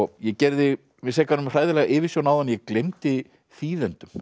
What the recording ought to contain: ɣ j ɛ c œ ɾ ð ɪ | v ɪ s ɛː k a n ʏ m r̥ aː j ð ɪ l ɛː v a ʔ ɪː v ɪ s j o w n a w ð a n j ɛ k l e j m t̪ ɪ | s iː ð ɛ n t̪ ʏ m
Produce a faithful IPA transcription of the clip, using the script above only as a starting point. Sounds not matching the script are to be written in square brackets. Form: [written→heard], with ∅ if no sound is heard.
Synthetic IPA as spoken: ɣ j ɛ c [œ→ɛ] ɾ ð ɪ | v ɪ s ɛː k a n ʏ m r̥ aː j ð ɪ l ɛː [v→ɣ] a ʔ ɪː v ɪ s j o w n a w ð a n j ɛ k l e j m t̪ ɪ | [s→θ] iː ð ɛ n t̪ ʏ m